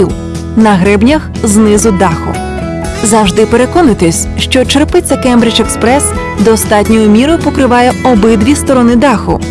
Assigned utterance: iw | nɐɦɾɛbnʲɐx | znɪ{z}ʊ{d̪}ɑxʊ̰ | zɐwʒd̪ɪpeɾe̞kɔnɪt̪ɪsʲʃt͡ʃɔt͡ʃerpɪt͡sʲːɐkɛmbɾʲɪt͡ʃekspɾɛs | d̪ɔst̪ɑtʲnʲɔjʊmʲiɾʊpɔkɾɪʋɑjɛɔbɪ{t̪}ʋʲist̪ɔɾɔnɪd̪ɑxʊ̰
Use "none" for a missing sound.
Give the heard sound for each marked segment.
z, d̪, d̪

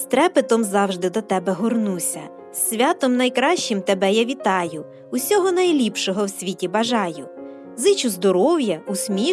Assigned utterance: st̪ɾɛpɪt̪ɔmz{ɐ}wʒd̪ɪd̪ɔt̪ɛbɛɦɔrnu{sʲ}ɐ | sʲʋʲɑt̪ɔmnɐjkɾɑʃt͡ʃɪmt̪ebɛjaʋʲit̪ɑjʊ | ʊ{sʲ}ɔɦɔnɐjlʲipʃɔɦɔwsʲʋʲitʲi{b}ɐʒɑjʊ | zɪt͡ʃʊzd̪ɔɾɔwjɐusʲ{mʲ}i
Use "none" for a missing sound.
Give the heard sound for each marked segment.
ɑ, sʲ, sʲ, b, mʲ

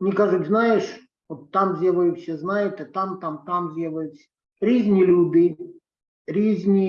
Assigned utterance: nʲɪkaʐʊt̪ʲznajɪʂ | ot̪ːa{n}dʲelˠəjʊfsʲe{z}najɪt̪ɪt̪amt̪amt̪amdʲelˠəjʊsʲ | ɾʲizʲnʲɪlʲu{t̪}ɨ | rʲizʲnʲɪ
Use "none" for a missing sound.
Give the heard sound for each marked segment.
m, z, d̪

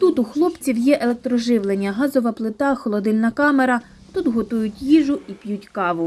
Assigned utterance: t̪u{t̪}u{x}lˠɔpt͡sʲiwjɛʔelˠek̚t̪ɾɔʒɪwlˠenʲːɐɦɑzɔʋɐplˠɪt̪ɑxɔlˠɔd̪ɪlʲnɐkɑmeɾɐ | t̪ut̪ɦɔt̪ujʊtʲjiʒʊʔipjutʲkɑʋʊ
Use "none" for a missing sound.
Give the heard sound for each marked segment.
t̪, x

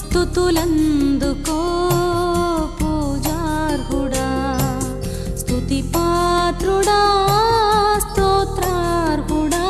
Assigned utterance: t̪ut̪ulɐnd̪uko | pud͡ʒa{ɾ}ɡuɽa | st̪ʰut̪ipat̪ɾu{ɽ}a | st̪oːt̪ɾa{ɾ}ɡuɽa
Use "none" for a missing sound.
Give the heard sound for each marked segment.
ɾ, ɽ, ɾ

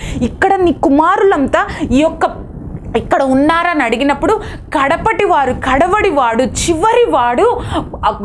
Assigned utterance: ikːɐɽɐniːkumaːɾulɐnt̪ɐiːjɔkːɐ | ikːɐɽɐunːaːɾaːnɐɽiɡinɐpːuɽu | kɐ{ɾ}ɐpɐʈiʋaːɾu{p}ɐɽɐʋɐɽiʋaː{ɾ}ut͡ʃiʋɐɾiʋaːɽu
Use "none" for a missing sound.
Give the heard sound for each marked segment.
ɽ, k, ɽ

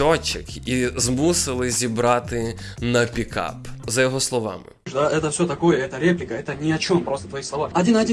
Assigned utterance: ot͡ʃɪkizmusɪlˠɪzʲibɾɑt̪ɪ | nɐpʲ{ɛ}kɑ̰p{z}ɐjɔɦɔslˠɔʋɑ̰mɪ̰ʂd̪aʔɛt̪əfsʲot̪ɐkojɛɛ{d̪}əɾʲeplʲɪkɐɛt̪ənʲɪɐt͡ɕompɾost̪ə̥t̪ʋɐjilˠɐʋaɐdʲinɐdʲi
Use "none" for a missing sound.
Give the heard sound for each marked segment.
i, z, t̪

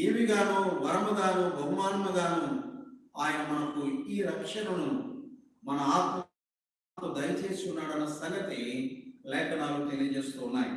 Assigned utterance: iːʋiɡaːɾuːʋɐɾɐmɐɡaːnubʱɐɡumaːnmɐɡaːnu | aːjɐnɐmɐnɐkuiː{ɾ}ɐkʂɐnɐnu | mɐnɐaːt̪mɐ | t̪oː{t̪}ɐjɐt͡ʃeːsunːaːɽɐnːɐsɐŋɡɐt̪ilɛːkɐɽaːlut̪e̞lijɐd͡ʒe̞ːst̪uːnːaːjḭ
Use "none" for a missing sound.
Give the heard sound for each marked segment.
ɾ, d̪

